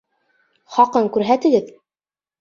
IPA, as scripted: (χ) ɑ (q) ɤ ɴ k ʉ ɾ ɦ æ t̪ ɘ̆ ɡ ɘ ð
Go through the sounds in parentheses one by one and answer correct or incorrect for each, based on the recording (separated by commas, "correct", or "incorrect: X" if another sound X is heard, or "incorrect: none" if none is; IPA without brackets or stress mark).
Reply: correct, correct